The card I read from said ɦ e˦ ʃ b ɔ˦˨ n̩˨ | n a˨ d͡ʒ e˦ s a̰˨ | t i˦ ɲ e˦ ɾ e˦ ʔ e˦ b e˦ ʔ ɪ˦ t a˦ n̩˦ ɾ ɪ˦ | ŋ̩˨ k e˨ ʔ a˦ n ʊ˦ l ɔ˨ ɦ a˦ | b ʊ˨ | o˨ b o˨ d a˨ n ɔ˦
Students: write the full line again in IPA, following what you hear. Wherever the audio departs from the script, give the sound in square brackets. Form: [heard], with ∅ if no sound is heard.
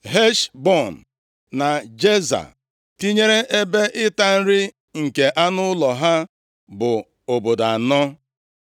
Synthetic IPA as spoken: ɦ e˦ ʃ b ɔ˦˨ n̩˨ | n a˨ d͡ʒ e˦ [z] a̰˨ | t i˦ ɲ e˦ ɾ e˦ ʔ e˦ b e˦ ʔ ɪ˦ t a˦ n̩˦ ɾ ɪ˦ | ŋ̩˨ k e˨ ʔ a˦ n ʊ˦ l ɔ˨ ɦ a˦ | b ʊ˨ | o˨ b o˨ d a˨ n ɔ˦